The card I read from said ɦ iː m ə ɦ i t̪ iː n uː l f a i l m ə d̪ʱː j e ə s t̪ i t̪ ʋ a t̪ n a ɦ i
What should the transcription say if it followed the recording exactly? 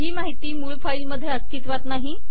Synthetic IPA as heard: ɦ iː m a ɦ i t̪ iː m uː ɭ f a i l m ə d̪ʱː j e ə s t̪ i t̪ ʋ a t̪ n a ɦ i

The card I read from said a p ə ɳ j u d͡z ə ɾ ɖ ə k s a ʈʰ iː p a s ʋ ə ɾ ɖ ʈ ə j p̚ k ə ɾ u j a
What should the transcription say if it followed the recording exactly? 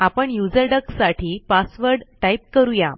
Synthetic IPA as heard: a p ə ɳ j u d͡z ə ɾ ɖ ə k s a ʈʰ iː p a s ʋ ə ɾ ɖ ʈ a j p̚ k ə ɾ u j a

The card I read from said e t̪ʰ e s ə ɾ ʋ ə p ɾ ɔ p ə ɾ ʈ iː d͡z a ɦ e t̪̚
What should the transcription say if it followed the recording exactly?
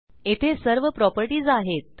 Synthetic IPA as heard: e t̪ʰ e s ə ɾ ʋ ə p ɾ ɔ p ə ɾ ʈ iː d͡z a ɦ e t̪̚

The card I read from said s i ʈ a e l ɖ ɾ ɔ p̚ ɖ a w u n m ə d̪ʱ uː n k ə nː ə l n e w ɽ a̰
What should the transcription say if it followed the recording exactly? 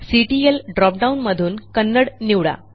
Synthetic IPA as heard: s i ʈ i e l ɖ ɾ ɔ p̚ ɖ a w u n m ə d̪ʱ uː n k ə nː ə ɽ n i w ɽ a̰

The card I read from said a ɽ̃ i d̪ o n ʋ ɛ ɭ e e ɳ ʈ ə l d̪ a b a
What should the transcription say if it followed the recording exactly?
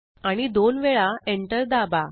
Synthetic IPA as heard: a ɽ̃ i d̪ o n ʋ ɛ ɭ a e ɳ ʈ ə ɾ d̪ a b a

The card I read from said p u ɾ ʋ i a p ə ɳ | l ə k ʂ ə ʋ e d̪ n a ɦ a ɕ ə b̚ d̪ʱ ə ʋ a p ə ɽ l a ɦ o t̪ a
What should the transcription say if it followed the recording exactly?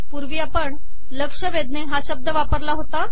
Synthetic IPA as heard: p u ɾ ʋ i a p ə ɳ | l ə k ʂ ə ʋ e d̪ n e ɦ a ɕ ə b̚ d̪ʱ ə ʋ a p ə ɾ l a ɦ o t̪ a

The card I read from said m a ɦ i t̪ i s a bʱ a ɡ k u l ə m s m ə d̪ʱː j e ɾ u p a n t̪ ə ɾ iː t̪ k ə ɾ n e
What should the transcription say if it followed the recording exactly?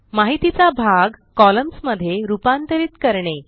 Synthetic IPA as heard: m a ɦ i t̪ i t͡s a bʱ a ɡ k ɔ l ə m s m ə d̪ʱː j e ɾ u p a n t̪ ə ɾ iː t̪ k ə ɾ ɳ e

